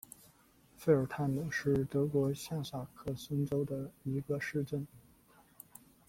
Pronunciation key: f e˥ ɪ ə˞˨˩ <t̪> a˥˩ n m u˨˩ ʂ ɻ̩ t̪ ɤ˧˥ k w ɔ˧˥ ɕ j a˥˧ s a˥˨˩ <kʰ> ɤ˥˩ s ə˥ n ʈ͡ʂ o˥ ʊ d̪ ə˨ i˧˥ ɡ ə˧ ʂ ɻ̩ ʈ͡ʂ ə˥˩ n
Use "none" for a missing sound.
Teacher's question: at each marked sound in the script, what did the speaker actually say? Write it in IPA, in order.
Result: t̪ʰ, kʰ

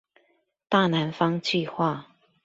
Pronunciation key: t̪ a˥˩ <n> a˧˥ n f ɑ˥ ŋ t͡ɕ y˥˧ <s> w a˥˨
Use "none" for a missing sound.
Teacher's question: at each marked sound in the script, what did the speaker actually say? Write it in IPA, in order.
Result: n, x

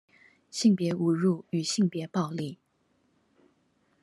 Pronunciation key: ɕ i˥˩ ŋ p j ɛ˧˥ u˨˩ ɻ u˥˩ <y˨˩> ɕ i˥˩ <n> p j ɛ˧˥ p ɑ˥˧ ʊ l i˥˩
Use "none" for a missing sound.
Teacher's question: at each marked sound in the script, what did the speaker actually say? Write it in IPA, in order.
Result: y˨˩, ŋ

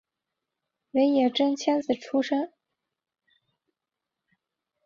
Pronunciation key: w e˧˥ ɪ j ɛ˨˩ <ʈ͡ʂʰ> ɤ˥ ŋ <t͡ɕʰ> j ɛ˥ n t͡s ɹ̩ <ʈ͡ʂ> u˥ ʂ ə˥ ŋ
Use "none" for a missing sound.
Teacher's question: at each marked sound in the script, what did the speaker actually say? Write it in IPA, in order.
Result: ʈ͡ʂ, t͡ɕʰ, ʈ͡ʂʰ

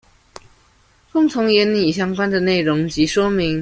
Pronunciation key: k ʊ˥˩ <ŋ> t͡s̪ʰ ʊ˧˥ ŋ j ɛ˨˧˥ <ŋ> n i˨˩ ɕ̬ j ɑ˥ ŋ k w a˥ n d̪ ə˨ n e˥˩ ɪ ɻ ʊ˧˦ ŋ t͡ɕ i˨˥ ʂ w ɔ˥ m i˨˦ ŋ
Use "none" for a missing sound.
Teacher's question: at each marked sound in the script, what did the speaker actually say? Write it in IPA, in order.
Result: ŋ, n

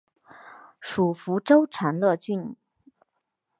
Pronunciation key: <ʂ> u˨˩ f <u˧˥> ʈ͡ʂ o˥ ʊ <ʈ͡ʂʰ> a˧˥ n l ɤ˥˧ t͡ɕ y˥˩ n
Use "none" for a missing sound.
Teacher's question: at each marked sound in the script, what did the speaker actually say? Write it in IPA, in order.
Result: ʂ, u˧˥, ʈ͡ʂʰ

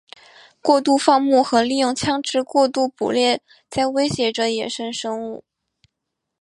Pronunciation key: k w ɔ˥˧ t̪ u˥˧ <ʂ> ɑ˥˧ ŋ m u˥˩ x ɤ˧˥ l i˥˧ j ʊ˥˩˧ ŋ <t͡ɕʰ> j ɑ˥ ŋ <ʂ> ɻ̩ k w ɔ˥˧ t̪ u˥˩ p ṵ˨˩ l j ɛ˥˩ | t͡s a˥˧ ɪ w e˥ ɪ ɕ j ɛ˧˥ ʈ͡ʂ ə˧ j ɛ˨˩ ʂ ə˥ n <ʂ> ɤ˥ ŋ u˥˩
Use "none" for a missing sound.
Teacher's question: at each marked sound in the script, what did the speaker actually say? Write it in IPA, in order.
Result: f, t͡ɕʰ, ʈ͡ʂ, ʂ

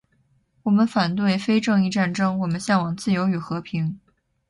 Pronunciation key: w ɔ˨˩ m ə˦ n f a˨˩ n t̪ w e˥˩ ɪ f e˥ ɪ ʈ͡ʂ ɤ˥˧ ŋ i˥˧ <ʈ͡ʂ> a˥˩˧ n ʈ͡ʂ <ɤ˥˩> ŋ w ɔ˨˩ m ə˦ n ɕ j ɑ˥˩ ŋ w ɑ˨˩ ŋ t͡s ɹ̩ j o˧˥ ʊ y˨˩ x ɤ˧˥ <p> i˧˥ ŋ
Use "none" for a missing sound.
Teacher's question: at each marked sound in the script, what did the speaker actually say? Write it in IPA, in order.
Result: ʈ͡ʂ, ɤ˥, pʰ

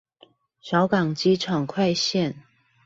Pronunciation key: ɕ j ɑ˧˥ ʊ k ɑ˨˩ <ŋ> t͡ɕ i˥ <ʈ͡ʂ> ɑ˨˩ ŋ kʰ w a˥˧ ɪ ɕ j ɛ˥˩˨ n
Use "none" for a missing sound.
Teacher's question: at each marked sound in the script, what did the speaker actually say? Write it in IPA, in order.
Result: ŋ, ʈ͡ʂʰ

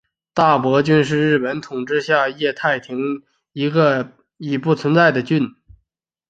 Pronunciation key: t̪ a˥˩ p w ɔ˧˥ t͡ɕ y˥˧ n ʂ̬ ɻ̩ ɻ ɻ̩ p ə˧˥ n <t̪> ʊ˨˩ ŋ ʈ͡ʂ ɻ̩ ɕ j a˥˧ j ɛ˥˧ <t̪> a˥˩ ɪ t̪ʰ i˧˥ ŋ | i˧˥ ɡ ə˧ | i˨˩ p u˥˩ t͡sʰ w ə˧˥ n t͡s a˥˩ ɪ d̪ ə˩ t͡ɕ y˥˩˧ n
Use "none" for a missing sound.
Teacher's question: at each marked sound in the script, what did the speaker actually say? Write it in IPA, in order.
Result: t̪ʰ, t̪ʰ

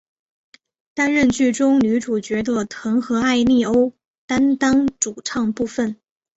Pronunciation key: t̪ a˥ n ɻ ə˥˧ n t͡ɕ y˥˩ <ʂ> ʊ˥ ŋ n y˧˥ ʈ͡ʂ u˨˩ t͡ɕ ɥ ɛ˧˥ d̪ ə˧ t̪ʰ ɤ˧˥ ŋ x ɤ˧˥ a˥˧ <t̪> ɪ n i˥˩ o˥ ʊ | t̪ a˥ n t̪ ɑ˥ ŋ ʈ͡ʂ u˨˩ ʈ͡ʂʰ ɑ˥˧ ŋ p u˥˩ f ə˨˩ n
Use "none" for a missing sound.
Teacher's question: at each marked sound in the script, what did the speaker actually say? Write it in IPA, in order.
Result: ʈ͡ʂ, none

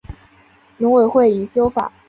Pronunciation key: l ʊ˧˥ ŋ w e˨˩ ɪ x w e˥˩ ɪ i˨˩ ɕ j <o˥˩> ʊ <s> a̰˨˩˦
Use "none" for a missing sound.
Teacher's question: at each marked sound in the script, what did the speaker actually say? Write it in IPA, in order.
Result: o˥, f

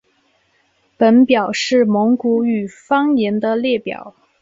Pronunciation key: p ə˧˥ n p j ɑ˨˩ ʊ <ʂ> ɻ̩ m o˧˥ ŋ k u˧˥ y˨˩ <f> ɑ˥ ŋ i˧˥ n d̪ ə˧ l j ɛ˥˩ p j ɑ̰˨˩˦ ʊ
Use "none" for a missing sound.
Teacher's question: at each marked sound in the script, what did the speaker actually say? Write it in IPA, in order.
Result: ʂ, f

